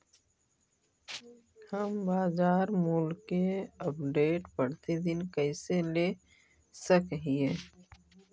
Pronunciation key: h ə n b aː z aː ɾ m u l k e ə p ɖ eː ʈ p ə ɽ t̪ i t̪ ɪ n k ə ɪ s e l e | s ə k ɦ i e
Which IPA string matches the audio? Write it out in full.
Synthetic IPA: h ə m b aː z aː ɾ m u l k e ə p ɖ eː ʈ p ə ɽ t̪ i d̪ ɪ n k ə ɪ s e l e | s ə k ɦ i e